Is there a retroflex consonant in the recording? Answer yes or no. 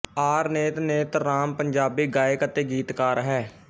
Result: no